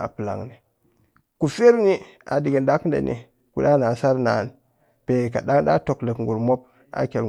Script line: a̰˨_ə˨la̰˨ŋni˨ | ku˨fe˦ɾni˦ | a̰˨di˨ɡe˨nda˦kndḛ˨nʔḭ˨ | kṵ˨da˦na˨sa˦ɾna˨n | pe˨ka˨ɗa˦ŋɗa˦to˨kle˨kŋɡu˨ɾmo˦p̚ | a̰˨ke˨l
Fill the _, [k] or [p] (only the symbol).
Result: p